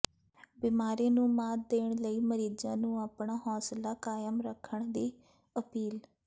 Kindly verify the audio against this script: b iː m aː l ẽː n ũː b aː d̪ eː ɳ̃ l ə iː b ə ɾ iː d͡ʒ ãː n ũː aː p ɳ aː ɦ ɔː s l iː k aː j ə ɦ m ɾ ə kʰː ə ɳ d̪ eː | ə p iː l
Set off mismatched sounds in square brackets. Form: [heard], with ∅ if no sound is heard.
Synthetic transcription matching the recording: b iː m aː [ɾ] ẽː n ũː [m] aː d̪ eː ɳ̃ l ə iː [m] ə ɾ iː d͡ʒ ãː n ũː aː p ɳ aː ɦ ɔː s l [aː] k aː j ə [∅] m ɾ ə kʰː ə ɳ d̪ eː | ə p iː l